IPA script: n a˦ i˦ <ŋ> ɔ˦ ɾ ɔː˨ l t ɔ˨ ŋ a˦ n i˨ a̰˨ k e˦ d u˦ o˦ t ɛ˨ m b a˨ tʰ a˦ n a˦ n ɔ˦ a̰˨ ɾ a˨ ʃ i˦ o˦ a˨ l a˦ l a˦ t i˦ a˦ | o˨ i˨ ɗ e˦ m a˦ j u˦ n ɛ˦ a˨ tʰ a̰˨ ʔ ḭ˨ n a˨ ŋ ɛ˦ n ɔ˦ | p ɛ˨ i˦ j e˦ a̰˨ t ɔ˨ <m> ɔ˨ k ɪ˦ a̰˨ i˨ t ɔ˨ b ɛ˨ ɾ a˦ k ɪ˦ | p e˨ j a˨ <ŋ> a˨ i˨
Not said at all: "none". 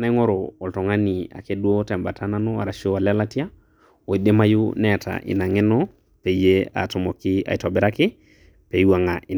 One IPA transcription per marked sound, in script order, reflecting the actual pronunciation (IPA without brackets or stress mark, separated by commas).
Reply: ŋ, m, ŋ